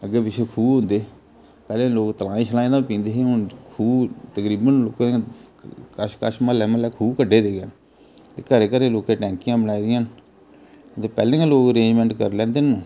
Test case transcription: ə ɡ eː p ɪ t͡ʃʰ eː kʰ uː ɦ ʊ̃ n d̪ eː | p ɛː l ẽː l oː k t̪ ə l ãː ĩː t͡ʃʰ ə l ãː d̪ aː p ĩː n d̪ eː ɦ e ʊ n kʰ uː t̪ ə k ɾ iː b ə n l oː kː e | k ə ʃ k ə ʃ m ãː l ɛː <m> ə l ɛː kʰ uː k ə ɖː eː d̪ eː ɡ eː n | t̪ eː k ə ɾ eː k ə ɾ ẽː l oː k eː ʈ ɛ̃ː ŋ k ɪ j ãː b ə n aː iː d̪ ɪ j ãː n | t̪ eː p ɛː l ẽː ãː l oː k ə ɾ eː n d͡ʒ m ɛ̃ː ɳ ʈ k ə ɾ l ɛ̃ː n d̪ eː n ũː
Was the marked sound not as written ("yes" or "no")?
no